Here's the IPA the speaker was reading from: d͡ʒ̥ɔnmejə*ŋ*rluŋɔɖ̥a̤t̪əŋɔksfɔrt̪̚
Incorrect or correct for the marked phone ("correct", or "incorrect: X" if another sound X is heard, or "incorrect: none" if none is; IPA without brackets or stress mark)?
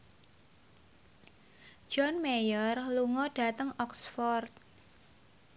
incorrect: none